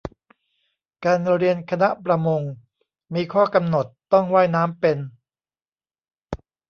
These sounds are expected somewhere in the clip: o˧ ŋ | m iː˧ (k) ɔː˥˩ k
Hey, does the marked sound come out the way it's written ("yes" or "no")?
no